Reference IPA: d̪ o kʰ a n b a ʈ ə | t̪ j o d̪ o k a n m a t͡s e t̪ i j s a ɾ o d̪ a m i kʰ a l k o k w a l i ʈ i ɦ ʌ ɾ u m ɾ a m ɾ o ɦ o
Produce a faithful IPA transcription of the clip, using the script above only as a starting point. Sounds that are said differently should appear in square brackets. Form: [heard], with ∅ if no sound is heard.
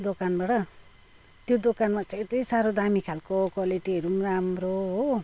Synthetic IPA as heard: d̪ o [k] a n b a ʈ [ʌ] | t̪ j o d̪ o k a n m a t͡s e t̪ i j s a ɾ o d̪ a m i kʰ a l k o k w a l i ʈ i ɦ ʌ ɾ u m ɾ a m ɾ o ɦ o

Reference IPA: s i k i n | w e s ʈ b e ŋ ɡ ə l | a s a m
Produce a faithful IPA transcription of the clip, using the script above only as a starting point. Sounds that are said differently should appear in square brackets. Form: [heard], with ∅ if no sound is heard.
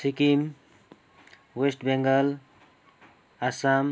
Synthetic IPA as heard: s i k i [m] | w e s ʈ b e ŋ ɡ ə l | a s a m

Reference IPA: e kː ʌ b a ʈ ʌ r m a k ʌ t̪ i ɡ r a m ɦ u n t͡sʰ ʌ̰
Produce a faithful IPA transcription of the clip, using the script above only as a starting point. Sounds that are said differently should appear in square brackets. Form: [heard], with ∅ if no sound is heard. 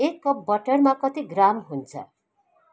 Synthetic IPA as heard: e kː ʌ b [ʌ] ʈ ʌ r m a k ʌ t̪ i ɡ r a m ɦ u n t͡sʰ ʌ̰

